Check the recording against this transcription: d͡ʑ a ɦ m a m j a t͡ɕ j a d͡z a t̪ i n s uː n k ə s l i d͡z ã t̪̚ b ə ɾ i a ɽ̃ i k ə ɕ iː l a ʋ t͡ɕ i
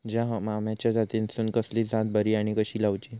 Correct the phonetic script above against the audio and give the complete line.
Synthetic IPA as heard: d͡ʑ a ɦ m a m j a t͡ɕ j a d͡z a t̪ i n s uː n k ə s l i d͡z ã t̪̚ b ə ɾ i a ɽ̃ i k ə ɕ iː l a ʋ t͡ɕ i